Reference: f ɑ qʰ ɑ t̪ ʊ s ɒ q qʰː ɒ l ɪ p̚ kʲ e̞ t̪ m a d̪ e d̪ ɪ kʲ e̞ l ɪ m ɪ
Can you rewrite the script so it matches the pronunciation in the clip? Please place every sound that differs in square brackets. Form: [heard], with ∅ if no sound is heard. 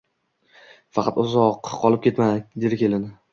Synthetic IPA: f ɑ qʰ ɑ t̪ ʊ [z] ɒ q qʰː ɒ l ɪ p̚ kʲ e̞ t̪ m a d̪ e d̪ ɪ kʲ e̞ l ɪ [n] ɪ